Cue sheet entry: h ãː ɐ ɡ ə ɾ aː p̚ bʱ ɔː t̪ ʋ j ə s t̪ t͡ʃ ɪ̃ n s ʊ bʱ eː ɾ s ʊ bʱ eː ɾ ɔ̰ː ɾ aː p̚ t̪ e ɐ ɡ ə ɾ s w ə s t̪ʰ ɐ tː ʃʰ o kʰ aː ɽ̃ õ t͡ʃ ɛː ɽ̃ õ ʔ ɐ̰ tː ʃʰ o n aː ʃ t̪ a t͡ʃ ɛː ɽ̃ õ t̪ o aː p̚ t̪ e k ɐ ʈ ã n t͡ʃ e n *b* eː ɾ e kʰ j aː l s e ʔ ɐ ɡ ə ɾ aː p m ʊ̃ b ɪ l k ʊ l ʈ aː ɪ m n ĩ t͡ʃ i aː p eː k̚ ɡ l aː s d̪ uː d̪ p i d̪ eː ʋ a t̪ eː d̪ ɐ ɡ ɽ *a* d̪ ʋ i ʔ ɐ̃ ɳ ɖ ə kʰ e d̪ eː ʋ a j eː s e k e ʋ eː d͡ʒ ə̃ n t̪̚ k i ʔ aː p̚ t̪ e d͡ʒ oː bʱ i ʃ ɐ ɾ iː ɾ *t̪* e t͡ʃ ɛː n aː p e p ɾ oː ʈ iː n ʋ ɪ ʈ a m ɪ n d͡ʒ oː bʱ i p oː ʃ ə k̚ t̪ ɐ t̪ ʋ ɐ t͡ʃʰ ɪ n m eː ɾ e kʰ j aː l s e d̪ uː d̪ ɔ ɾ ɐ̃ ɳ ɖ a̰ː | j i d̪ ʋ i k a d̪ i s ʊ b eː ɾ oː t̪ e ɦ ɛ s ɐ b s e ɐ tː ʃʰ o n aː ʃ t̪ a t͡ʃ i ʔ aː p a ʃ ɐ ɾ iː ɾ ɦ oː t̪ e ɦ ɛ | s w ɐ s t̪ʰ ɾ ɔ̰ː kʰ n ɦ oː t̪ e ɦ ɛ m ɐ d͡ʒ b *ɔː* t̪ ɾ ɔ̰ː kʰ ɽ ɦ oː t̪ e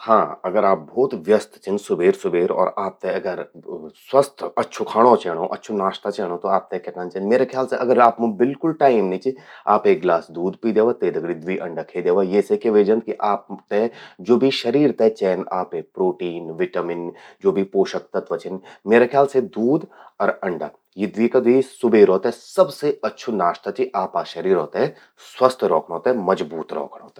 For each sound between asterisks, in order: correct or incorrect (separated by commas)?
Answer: incorrect, incorrect, correct, incorrect